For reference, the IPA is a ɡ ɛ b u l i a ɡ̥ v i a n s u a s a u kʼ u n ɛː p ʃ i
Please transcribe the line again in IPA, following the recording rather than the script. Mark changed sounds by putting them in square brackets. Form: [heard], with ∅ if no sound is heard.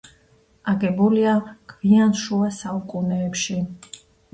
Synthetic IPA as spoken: a ɡ ɛ b u l i a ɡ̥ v i a n [ʃ] u a s a u kʼ u n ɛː p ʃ i